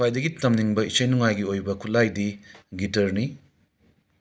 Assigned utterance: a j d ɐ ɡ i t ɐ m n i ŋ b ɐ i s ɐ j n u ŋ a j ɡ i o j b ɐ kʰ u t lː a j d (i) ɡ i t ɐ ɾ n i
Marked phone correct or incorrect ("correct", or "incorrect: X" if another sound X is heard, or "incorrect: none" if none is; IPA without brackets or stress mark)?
correct